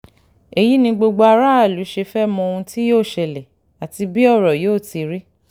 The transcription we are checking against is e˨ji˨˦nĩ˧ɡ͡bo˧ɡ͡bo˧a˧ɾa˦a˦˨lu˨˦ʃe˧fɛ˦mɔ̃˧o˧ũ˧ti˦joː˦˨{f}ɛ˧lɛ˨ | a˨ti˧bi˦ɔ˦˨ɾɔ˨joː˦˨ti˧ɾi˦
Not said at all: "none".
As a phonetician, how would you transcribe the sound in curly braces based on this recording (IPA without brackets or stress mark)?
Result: ʃ